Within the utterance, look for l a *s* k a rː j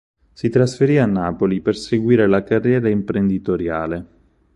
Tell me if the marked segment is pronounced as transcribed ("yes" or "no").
no